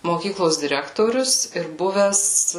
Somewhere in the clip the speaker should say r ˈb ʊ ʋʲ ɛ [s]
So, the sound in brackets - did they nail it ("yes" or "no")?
yes